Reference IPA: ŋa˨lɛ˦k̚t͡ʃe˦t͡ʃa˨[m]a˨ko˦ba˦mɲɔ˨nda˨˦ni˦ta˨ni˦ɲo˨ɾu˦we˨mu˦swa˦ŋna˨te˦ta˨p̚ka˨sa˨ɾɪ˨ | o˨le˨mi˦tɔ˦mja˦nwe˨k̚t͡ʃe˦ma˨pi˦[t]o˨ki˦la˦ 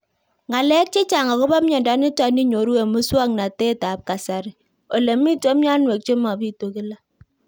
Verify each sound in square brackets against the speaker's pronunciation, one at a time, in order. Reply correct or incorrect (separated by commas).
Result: incorrect, correct